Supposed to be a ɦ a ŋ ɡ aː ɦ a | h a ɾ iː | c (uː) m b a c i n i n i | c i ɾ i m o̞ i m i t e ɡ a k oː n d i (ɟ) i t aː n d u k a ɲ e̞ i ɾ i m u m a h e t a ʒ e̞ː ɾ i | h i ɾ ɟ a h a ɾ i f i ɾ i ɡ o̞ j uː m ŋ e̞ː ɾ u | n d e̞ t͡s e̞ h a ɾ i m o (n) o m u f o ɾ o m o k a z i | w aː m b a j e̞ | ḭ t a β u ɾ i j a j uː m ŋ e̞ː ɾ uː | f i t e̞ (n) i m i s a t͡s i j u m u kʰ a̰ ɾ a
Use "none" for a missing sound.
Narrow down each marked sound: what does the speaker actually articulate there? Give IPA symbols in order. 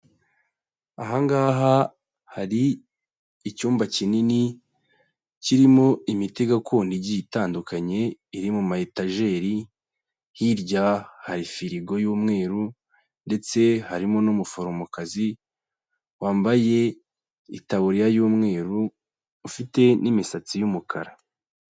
uː, ɟ, n, n

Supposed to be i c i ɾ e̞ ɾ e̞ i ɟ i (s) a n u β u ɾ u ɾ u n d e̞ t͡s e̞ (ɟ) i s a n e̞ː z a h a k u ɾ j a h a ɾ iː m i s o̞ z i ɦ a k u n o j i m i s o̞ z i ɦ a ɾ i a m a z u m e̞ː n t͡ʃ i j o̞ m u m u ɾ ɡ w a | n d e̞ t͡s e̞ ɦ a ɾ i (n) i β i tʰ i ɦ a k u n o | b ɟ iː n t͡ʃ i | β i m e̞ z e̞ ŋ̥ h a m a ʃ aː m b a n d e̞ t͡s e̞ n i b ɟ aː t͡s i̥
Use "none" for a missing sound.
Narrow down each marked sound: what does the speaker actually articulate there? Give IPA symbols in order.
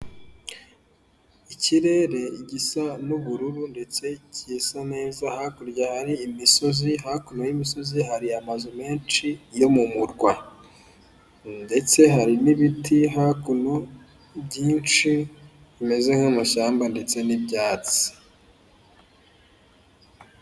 s, c, n

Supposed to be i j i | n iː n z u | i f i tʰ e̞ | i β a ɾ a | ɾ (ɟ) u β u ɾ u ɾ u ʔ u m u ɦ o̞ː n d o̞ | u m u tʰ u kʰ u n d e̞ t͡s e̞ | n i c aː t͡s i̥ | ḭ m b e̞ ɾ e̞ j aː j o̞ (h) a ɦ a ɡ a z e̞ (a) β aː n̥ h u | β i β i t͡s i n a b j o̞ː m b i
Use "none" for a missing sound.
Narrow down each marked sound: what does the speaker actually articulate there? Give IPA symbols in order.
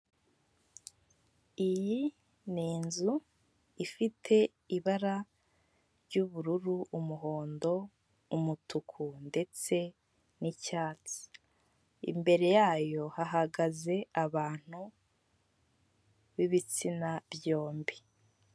ɟ, h, a

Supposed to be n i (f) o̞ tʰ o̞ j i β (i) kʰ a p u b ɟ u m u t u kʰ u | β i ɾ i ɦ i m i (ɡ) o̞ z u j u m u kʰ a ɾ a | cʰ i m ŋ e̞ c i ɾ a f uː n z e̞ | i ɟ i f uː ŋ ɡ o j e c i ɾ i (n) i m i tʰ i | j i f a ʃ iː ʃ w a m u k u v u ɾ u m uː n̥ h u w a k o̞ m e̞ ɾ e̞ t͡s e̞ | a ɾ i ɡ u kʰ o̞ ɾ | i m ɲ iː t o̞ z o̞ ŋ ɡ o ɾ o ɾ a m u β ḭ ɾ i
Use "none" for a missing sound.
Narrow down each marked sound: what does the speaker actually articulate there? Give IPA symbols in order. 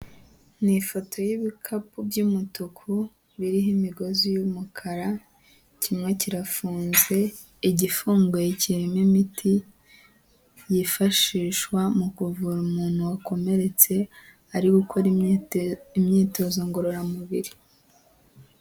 f, i, ɡ, m

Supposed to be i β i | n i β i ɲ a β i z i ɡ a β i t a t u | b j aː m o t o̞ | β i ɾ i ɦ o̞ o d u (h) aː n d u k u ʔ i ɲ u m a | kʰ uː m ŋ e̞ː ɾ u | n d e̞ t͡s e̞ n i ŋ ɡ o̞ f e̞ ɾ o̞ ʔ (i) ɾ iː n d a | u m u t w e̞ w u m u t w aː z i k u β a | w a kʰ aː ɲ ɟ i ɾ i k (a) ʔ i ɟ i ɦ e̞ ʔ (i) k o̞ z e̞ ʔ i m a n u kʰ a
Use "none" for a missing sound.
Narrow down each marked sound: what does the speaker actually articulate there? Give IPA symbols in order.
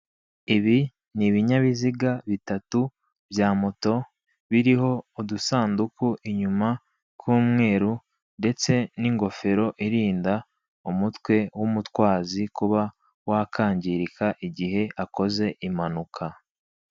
s, i, a, a

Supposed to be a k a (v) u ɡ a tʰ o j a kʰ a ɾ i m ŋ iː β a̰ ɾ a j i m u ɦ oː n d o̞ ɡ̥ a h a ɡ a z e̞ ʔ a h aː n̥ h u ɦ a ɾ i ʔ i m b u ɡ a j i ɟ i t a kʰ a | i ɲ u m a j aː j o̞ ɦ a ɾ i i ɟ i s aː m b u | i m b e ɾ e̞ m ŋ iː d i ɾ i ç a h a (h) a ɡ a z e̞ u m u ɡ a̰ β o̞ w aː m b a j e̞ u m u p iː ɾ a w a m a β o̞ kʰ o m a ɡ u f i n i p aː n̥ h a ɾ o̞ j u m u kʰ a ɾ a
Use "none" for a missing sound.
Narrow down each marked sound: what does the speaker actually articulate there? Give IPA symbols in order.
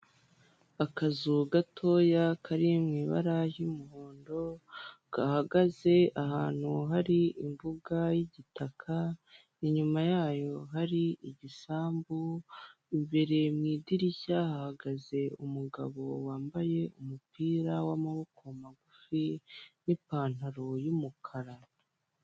z, h

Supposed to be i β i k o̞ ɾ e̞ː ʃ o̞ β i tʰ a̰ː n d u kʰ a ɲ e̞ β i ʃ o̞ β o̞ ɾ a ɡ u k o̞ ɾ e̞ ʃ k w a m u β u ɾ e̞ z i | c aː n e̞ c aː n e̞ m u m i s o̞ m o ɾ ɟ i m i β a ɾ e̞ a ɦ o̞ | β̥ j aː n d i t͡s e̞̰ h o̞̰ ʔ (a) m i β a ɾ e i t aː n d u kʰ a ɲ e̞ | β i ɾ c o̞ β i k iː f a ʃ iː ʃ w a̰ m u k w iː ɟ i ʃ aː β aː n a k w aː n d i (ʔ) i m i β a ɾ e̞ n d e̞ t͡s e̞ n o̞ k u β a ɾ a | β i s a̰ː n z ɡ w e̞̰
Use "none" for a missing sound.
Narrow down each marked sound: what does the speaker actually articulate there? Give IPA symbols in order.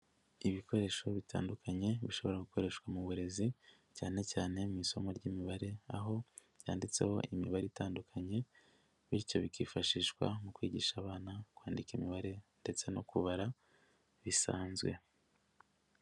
i, k

